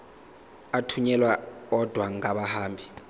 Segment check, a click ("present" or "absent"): absent